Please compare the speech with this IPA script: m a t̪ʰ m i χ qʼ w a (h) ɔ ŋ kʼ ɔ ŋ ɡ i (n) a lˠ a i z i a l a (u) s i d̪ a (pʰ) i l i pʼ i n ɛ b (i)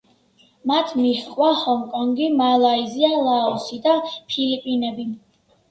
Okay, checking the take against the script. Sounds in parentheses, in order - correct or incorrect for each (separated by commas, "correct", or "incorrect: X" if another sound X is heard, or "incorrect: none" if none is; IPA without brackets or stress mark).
correct, incorrect: m, incorrect: ɔ, correct, correct